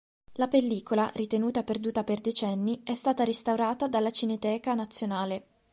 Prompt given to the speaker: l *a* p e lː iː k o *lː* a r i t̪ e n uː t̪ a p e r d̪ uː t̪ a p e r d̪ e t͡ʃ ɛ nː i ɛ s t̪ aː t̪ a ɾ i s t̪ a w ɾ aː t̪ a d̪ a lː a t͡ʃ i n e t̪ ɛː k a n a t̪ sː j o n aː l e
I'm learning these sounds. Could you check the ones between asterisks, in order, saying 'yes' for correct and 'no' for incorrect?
yes, no

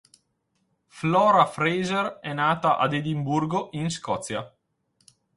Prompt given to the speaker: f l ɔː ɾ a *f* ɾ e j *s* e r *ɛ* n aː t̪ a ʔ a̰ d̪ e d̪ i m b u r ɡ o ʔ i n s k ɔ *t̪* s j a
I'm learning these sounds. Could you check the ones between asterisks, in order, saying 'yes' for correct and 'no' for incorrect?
yes, no, yes, yes

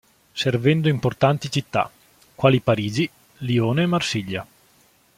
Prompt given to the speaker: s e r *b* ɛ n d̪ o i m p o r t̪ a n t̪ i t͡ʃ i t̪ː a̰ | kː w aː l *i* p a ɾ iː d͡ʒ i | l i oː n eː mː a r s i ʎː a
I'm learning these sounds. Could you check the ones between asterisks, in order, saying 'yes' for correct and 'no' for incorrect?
no, yes

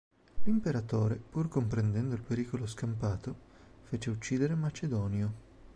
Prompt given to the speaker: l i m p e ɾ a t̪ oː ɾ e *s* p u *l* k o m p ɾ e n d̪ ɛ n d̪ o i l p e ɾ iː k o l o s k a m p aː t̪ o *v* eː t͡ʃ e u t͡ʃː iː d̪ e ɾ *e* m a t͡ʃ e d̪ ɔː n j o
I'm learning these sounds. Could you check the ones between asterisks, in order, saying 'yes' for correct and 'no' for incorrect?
no, no, no, yes

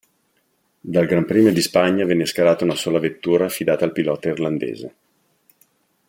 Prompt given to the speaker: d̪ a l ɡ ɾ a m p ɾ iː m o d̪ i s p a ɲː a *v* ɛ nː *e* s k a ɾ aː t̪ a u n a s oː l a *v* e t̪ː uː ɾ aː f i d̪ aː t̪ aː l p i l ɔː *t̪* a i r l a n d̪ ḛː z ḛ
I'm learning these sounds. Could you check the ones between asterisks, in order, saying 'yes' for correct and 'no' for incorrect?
yes, yes, yes, yes

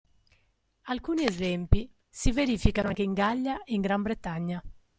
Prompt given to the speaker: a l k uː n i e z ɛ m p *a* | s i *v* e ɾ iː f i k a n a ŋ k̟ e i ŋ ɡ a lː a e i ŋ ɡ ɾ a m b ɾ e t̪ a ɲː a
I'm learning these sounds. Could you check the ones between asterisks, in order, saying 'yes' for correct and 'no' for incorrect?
no, yes

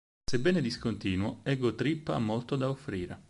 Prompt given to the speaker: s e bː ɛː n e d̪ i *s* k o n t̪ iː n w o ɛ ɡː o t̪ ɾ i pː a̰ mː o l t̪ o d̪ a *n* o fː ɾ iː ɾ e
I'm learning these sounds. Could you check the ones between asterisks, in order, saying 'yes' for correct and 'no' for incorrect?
yes, no

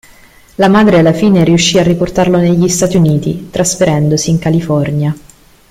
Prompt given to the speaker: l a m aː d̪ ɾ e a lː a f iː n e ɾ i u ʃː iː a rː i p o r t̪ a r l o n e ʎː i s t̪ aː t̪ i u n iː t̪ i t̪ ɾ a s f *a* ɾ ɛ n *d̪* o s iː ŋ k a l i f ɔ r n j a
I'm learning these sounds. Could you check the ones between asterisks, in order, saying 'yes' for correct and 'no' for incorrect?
no, yes

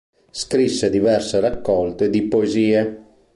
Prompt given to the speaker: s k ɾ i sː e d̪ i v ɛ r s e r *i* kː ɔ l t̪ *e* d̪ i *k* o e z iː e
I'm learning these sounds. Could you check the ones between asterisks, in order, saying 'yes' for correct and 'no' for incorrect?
no, yes, no

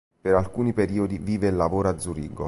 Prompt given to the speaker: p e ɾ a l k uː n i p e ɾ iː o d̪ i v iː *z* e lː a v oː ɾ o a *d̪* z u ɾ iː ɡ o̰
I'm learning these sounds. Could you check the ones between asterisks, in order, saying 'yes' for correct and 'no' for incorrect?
no, yes

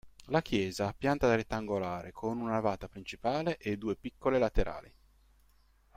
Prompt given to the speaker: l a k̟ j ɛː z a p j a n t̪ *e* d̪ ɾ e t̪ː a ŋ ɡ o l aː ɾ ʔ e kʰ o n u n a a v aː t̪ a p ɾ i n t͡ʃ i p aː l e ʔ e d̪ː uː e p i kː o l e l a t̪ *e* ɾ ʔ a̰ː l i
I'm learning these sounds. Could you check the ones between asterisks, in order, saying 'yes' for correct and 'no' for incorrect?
no, yes

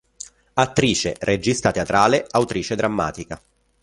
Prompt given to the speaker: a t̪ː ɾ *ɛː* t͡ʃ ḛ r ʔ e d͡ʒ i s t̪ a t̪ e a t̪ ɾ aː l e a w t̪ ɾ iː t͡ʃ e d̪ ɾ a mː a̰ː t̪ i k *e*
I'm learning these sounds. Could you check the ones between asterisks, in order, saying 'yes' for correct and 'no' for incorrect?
no, no

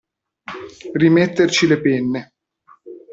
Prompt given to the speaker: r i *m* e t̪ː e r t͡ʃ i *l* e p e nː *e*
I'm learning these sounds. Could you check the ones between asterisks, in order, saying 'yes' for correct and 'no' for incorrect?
yes, yes, yes

